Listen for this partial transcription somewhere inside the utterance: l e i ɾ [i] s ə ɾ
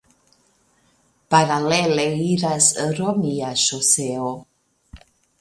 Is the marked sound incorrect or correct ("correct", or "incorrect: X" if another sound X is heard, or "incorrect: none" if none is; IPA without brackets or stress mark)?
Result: incorrect: a